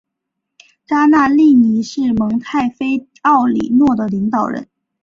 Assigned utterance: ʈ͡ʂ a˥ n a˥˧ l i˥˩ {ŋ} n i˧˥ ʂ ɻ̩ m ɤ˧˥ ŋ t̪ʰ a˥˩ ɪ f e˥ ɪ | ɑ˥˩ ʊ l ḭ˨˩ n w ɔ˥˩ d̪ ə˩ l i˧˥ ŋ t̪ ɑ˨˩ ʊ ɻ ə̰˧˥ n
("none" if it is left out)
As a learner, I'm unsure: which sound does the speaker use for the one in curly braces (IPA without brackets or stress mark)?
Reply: none